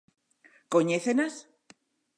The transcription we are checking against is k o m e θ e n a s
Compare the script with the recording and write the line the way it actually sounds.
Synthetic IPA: k o ɲ e θ e n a s